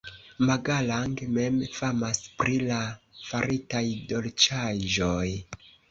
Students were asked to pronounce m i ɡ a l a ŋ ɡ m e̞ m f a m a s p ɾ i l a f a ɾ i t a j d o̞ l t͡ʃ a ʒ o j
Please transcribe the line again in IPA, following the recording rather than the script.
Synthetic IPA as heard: m a ɡ a l a ŋ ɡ m e̞ m f a m a s p ɾ i l a f a ɾ i t a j d o̞ l t͡ʃ a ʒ o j